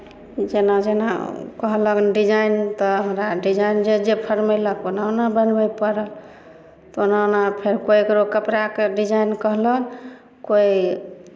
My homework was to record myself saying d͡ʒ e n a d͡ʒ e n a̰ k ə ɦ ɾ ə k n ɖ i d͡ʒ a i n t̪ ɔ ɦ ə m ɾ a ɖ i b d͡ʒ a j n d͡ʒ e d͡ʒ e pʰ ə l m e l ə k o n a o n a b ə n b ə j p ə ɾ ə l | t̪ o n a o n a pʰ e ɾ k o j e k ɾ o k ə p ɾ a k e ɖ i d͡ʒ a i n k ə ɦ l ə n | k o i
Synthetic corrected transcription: d͡ʒ e n a d͡ʒ e n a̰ k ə ɦ l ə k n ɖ i d͡ʒ a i n t̪ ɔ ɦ ə m ɾ a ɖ i d͡ʒ a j n d͡ʒ e d͡ʒ e pʰ ə ɾ m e l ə k o n a o n a b ə n b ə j p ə ɾ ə l | t̪ o n a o n a pʰ e ɾ k o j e k ɾ o k ə p ɾ a k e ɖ i d͡ʒ a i n k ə ɦ l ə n | k o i